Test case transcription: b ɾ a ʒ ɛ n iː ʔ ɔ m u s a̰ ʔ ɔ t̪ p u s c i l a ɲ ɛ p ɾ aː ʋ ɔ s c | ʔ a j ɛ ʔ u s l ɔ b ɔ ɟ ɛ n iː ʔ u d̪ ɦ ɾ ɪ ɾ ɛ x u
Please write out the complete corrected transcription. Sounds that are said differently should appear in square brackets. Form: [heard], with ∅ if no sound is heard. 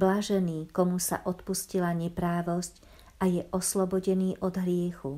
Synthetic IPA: b [l] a ʒ ɛ n iː [k] ɔ m u s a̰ ʔ ɔ t̪ p u s c i l a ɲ ɛ p ɾ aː ʋ ɔ s c | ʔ a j ɛ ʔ [ɔ] s l ɔ b ɔ ɟ ɛ n iː ʔ [ɔ] d̪ ɦ ɾ ɪ [∅] ɛ x u